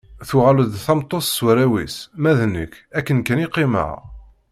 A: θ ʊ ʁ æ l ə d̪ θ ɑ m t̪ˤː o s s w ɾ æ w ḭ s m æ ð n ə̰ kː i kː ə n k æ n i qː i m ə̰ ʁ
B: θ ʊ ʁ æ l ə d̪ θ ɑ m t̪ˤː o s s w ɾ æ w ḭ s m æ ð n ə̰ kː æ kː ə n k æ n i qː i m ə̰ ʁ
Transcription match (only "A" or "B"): B